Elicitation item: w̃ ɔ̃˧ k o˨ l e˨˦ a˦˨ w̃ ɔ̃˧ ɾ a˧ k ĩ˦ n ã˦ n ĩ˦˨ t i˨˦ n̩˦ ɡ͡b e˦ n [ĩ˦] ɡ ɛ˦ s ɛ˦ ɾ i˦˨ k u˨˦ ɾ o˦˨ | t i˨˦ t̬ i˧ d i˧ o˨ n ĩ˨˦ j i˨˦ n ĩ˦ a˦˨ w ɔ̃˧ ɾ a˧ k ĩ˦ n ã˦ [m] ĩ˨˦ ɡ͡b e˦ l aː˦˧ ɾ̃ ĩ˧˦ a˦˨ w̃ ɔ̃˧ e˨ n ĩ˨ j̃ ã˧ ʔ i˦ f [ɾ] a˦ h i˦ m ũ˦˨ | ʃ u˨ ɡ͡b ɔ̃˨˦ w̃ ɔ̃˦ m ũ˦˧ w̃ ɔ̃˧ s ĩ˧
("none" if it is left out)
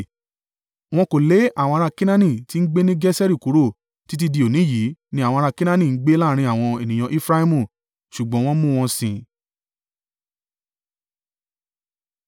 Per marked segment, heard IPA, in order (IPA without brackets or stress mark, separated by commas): ĩ˦, n, ɾ